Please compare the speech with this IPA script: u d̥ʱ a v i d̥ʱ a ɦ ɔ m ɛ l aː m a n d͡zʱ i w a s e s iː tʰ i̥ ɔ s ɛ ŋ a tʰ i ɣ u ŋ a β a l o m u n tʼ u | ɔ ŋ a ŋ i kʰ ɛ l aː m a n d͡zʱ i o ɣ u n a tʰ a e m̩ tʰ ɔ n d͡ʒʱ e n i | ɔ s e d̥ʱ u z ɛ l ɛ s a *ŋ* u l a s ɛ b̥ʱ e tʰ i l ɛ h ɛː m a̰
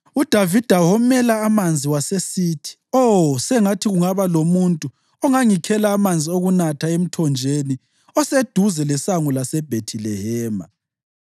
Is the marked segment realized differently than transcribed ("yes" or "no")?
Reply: no